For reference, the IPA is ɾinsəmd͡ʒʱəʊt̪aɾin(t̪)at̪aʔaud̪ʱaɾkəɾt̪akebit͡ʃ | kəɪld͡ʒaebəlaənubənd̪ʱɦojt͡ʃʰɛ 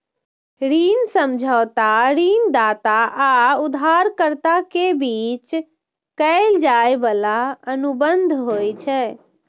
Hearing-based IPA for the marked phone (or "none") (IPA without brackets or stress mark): d̪